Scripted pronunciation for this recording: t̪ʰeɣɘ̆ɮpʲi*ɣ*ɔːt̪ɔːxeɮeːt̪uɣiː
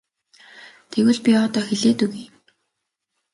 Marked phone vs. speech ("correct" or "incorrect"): incorrect